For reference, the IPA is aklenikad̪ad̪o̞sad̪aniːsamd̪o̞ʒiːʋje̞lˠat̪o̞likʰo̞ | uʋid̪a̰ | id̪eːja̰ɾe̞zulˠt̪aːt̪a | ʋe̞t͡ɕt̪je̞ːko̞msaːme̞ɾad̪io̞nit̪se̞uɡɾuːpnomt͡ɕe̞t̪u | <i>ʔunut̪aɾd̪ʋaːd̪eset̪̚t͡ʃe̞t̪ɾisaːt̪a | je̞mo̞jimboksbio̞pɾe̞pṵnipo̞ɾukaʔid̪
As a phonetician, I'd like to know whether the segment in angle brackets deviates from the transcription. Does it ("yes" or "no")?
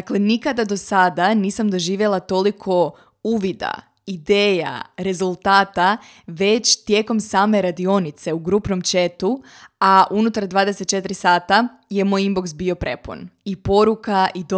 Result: yes